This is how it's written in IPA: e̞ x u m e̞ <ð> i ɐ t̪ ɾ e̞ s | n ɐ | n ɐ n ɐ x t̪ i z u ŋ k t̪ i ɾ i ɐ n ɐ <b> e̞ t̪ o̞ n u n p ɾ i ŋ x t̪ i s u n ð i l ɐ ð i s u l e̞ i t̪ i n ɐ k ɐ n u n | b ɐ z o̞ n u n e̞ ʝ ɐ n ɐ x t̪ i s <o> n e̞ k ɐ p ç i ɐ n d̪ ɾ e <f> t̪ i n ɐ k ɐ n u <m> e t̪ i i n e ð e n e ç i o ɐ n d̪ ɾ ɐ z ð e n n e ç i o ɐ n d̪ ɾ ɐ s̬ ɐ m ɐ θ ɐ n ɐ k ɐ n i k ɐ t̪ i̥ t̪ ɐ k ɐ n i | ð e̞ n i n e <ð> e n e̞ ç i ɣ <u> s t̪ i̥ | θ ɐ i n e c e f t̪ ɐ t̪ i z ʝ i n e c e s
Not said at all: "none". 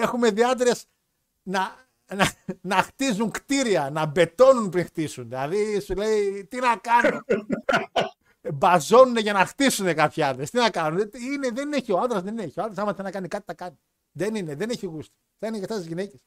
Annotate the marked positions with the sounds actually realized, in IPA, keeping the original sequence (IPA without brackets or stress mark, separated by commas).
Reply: ð, b, u, s, n, ð, u